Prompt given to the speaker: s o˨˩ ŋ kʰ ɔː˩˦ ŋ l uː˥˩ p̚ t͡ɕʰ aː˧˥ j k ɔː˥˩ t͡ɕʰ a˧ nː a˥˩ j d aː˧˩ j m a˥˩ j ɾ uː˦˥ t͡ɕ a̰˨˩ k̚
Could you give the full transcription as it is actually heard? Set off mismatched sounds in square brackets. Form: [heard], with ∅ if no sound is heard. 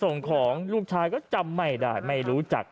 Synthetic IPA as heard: s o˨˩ ŋ kʰ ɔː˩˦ ŋ l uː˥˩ [k̚] t͡ɕʰ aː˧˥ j k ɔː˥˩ [t͡ɕ] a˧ [mː] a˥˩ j d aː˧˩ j m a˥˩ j ɾ uː˦˥ t͡ɕ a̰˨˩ k̚